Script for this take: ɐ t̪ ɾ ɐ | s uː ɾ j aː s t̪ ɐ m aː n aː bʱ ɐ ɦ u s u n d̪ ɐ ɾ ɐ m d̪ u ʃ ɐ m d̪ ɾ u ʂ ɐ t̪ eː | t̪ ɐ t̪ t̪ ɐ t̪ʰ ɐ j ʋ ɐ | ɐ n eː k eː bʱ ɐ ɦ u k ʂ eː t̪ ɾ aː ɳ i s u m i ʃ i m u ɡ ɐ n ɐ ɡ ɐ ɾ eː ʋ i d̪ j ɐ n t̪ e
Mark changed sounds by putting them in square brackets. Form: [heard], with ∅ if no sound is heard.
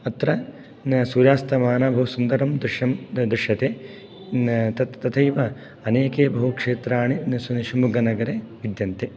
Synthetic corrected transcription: ɐ t̪ ɾ ɐ | s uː ɾ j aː s t̪ ɐ m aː n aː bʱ ɐ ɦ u s u n d̪ ɐ ɾ ɐ m d̪ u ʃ ɐ m d̪ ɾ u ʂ ɐ t̪ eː | t̪ ɐ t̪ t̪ ɐ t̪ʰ ɐ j ʋ ɐ | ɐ n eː k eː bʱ ɐ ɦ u k ʂ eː t̪ ɾ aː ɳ i s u [n] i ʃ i m u ɡ ɐ n ɐ ɡ ɐ ɾ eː ʋ i d̪ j ɐ n t̪ e